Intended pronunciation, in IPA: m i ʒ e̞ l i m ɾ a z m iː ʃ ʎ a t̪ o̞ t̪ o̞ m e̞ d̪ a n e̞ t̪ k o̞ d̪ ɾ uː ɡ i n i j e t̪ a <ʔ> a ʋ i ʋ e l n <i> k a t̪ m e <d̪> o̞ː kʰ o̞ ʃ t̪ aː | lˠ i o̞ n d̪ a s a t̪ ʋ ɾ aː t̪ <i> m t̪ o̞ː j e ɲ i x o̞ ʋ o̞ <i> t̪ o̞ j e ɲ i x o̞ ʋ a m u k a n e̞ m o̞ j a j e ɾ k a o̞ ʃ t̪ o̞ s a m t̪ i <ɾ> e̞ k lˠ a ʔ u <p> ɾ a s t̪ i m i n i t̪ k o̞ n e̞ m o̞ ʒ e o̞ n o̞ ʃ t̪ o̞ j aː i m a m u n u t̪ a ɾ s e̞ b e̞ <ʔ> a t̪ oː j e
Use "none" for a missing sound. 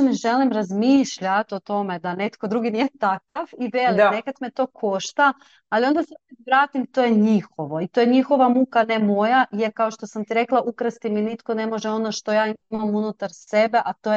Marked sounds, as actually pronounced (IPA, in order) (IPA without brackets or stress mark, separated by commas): k, e, t̪, i, i, ɾ, k, ʔ